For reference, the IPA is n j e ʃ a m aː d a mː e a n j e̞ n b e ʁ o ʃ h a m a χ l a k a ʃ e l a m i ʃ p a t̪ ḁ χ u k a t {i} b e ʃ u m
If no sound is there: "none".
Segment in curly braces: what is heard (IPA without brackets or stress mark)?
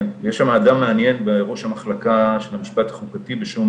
i